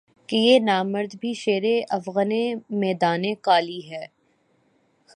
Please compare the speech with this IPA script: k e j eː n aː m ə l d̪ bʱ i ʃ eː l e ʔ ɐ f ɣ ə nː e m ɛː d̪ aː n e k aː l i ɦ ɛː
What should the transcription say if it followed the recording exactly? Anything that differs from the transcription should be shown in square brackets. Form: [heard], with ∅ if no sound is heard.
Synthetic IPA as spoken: k e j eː n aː m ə [ɾ] d̪ bʱ i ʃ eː [ɾ] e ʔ ɐ f ɣ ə [n] e m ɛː d̪ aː n e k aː l i ɦ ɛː